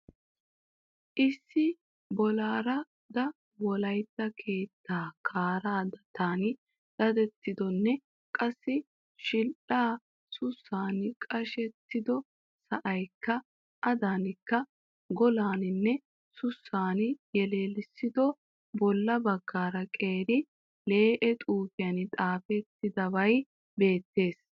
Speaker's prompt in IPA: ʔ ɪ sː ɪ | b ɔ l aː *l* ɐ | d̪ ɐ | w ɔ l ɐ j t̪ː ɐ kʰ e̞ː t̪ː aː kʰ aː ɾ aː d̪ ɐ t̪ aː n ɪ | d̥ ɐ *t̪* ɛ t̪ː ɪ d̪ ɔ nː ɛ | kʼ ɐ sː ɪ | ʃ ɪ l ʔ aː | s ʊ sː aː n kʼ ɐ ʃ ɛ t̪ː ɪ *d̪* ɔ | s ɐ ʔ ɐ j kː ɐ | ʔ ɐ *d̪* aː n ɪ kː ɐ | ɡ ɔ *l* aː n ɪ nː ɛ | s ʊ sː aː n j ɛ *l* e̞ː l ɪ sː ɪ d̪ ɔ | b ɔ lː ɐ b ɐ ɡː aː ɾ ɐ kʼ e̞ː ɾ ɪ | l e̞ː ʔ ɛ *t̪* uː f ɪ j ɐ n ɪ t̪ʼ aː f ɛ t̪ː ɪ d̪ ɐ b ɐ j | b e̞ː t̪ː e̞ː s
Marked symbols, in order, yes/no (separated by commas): no, no, yes, yes, yes, yes, no